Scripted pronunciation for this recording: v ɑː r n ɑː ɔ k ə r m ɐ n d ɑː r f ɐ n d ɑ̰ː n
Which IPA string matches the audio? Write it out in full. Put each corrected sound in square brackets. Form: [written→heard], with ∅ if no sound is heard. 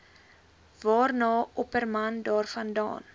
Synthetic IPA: v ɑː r n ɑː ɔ [k→p] ə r m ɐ n d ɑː r f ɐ n d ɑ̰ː n

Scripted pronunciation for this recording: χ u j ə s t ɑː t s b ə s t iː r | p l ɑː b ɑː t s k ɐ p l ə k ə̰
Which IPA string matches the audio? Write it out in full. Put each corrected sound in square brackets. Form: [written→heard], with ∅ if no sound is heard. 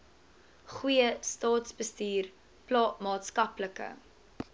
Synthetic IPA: χ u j ə s t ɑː t s b ə s t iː r | p l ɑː [b→m] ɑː t s k ɐ p l ə k ə̰

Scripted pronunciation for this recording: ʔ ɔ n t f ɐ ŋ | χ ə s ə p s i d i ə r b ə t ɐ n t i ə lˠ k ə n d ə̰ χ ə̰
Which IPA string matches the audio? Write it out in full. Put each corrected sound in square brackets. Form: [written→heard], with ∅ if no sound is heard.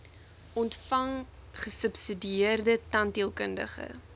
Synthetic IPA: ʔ ɔ n t f ɐ ŋ | χ ə s ə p s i d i ə r [b→d] ə t ɐ n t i ə lˠ k ə n d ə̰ χ ə̰

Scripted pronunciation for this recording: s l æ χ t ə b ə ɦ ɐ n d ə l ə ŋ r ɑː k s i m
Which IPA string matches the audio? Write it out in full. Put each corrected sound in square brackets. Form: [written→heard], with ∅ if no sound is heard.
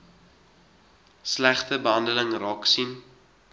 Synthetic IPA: s l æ χ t ə b ə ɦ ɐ n d ə l ə ŋ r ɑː k s i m

